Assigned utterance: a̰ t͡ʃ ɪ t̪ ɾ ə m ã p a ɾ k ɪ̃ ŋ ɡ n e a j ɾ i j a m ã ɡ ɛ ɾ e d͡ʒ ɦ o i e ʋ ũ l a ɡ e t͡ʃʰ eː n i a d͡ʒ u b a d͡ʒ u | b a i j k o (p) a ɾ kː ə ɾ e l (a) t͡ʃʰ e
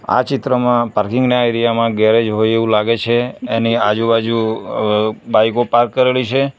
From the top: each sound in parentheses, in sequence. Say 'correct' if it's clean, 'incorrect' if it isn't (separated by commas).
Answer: correct, incorrect